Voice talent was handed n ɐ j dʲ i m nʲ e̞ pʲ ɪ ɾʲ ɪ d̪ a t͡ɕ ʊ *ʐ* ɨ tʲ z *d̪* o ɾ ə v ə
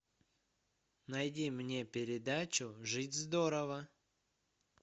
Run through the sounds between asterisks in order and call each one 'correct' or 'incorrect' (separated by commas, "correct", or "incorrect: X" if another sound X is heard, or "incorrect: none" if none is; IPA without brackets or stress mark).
correct, correct